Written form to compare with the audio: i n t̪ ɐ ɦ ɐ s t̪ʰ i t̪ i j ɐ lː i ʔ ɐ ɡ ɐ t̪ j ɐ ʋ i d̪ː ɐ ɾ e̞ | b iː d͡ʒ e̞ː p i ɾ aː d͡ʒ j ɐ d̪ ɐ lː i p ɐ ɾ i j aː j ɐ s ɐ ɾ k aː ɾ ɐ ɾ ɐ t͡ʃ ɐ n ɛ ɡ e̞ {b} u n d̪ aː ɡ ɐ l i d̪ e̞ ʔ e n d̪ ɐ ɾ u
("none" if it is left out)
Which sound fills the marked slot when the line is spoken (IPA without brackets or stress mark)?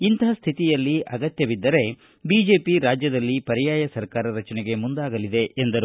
m